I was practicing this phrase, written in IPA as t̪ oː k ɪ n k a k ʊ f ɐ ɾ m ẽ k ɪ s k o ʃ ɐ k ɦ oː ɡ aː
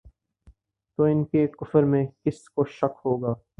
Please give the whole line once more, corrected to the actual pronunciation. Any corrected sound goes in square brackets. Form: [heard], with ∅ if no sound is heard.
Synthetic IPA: t̪ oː [∅] ɪ n k [e] k ʊ f [ə] ɾ m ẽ k ɪ s k o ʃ ɐ k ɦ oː ɡ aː